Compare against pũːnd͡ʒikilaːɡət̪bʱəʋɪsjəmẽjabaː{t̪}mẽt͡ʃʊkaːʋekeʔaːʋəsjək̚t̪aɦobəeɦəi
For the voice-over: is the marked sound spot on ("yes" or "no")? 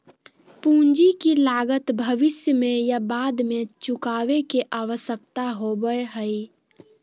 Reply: no